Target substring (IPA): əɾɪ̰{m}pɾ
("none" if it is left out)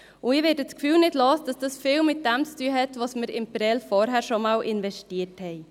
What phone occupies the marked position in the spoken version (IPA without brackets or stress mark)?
m